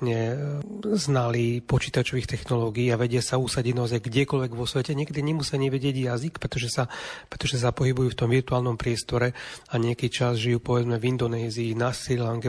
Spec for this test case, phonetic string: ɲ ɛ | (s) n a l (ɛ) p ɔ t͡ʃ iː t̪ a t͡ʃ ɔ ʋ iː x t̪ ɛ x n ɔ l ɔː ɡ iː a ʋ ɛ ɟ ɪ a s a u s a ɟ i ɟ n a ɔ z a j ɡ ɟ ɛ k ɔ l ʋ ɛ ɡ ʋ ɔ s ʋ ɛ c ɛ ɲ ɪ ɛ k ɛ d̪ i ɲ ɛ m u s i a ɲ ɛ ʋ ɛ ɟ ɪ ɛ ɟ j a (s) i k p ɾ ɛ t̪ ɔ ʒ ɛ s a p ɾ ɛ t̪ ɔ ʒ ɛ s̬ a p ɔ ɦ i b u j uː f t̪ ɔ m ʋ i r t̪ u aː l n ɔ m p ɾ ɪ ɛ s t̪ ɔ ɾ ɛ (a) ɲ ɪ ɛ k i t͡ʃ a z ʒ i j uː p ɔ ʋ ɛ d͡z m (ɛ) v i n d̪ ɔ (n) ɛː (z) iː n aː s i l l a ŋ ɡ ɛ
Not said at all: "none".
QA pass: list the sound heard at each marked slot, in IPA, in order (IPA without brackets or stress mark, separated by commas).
z, i, z, a, ɛ, n, z